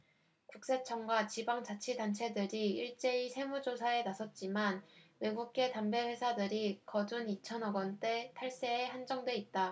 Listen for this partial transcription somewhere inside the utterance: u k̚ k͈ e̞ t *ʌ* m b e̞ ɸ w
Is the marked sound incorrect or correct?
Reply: incorrect